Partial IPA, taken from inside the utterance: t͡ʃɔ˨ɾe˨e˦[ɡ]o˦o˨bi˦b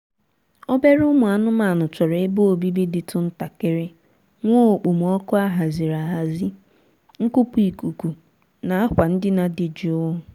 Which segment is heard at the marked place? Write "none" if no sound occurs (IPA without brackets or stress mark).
b